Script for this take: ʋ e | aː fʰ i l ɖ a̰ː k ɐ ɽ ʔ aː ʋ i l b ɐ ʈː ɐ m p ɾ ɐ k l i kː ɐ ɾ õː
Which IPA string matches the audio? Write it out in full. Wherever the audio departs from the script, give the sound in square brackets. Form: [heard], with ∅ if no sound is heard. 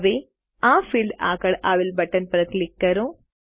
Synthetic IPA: ʋ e | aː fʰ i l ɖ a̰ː k ɐ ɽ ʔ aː ʋ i l b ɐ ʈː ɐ [n] p ɾ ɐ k l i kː ɐ ɾ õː